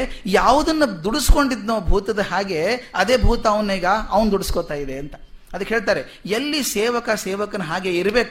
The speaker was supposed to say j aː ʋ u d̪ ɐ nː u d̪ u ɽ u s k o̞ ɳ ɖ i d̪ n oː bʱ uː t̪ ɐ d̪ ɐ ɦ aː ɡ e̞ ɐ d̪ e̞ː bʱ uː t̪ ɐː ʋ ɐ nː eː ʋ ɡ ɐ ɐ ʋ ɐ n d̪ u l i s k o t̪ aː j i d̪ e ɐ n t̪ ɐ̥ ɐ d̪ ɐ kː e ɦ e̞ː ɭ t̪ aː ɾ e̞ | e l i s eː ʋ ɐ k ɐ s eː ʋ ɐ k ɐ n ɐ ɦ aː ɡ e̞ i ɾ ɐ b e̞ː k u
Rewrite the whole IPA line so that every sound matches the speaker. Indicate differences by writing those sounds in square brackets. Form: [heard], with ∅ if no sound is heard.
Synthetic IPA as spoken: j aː ʋ u d̪ ɐ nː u d̪ u ɽ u s k o̞ ɳ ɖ i d̪ n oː bʱ uː t̪ ɐ d̪ ɐ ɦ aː ɡ e̞ ɐ d̪ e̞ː bʱ uː t̪ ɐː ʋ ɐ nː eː [∅] ɡ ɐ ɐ ʋ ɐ n d̪ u [ɽ] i s k o t̪ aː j i d̪ e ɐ n t̪ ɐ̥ ɐ d̪ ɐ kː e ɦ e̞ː ɭ t̪ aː ɾ e̞ | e [lː] i s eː ʋ ɐ k ɐ s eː ʋ ɐ k ɐ n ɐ ɦ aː ɡ e̞ i ɾ ɐ b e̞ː k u